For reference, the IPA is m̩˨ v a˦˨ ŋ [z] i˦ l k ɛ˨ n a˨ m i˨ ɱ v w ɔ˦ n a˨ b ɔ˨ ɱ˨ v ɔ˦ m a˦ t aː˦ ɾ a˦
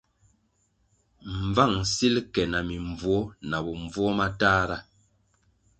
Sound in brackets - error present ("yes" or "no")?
yes